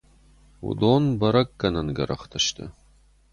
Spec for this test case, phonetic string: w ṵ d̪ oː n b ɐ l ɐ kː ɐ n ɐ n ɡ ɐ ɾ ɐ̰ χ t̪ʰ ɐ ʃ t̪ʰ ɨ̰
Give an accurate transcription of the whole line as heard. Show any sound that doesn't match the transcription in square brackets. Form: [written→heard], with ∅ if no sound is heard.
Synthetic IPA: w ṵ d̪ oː n b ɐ [l→ɾ] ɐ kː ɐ n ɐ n ɡ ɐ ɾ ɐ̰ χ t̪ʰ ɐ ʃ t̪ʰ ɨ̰